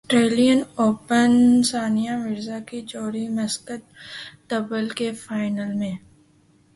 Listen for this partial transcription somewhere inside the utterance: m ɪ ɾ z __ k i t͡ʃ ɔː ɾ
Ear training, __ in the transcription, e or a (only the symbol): a